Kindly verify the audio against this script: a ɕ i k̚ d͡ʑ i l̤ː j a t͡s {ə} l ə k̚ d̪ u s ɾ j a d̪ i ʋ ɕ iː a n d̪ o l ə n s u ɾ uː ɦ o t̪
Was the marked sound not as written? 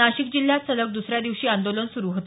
no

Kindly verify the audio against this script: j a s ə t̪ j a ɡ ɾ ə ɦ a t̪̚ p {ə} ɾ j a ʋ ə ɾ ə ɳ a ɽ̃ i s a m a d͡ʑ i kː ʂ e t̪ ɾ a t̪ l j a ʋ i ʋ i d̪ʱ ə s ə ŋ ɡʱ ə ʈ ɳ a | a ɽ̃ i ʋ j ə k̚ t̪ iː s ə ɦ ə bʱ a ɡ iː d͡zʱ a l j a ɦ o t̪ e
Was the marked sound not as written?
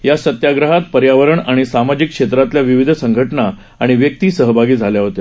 no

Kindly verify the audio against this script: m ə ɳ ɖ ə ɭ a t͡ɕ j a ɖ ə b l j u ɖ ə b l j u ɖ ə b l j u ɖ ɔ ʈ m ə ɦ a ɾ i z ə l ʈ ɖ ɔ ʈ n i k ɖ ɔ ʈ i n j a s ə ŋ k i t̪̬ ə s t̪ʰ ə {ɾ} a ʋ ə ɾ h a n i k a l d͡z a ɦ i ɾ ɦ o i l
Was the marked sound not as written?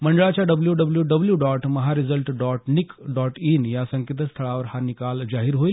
yes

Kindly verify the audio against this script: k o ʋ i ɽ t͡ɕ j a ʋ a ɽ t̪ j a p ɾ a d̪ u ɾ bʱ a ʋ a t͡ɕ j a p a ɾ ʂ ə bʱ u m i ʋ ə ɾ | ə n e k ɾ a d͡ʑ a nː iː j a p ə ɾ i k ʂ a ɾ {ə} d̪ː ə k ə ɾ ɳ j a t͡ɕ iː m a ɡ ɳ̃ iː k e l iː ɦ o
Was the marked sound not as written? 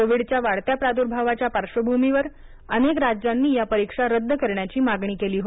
no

